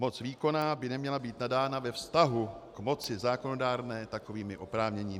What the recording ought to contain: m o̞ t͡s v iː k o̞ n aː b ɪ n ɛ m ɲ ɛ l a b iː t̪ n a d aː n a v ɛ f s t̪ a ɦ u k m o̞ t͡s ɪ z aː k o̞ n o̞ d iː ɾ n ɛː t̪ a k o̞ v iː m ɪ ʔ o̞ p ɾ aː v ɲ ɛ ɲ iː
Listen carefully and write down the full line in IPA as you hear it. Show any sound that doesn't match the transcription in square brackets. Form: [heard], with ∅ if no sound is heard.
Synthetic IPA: m o̞ t͡s v iː k o̞ n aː b ɪ n ɛ m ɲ ɛ l a b iː t̪ n a d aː n a v ɛ f s t̪ a ɦ u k m o̞ t͡s ɪ z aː k o̞ n o̞ d [aː] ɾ n ɛː t̪ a k o̞ v iː m ɪ ʔ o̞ p ɾ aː v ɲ ɛ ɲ iː